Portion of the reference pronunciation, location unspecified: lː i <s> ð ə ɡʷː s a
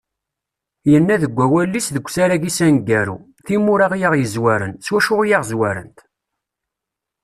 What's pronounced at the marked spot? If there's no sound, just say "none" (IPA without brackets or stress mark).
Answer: s